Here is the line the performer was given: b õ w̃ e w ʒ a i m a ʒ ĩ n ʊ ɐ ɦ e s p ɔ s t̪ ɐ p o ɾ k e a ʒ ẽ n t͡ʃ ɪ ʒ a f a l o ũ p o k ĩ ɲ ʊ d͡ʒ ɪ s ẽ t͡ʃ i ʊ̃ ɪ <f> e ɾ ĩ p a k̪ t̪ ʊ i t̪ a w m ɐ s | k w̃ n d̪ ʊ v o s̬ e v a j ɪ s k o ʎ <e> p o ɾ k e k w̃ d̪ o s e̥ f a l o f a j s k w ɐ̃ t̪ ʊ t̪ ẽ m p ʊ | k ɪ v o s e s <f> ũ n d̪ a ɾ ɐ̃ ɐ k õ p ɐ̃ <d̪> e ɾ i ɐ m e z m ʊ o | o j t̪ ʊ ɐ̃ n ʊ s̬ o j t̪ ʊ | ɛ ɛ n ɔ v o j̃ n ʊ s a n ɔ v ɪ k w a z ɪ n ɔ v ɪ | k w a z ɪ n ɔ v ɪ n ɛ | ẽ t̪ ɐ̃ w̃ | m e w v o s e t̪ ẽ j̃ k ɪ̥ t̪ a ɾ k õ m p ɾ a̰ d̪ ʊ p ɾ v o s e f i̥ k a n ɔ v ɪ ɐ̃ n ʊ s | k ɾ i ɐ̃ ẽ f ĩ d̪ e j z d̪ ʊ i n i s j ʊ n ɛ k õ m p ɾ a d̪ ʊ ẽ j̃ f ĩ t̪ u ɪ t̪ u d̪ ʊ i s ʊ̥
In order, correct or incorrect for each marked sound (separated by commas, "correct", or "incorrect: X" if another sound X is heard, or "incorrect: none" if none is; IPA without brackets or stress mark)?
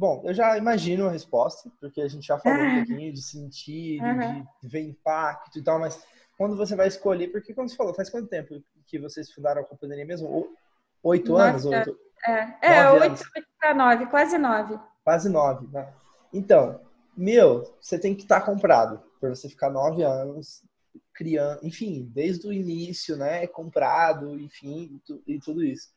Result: incorrect: v, correct, correct, correct